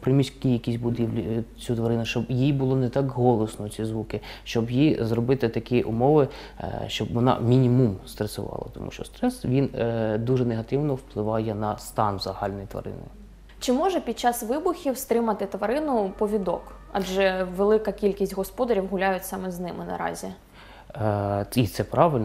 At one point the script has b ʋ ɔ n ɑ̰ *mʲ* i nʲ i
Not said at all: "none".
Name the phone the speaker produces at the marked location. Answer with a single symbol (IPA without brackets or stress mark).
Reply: mʲ